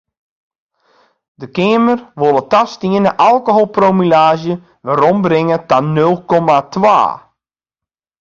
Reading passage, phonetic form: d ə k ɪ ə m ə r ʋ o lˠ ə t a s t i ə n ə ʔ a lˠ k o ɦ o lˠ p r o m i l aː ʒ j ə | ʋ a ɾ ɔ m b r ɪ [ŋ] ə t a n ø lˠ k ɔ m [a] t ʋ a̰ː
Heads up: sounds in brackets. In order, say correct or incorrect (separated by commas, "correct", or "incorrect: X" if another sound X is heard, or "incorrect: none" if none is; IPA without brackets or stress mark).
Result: correct, correct